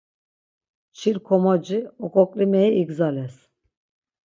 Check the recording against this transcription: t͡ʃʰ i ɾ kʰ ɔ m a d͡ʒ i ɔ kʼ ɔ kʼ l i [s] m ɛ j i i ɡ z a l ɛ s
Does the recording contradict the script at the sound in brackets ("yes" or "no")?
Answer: yes